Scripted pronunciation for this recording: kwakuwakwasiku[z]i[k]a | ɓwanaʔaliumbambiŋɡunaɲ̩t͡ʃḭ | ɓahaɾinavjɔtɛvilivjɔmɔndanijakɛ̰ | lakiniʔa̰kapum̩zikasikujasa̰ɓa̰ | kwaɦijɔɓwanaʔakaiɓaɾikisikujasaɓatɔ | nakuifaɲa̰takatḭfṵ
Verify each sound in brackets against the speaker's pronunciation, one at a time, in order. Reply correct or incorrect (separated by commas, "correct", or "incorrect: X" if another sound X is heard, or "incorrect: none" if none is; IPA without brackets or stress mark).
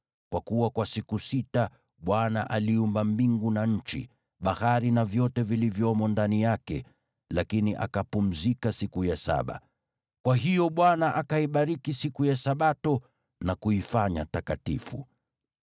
incorrect: s, incorrect: t